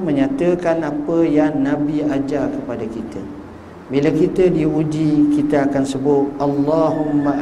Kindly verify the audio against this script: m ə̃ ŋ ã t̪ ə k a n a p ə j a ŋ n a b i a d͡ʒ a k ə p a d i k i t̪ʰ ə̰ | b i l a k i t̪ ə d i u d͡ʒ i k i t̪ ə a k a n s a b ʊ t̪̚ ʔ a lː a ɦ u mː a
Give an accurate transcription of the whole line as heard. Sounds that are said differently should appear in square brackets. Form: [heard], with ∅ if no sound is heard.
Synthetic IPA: m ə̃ [ɲ] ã t̪ ə k a n a p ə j a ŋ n a b i a d͡ʒ a k ə p a d [a] k i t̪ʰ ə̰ | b i l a k i t̪ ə d i u d͡ʒ i k i t̪ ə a k a n s [ə] b ʊ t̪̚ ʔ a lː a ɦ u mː a